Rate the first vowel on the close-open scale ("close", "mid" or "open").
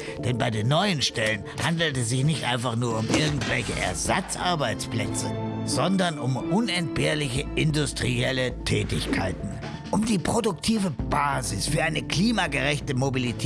mid